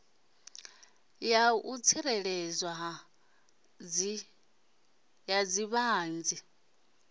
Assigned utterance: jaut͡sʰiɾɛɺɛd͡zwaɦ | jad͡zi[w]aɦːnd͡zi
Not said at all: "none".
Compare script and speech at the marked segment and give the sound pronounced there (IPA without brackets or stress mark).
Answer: β